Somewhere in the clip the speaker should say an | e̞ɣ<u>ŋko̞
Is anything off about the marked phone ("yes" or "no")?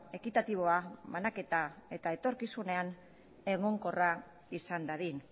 yes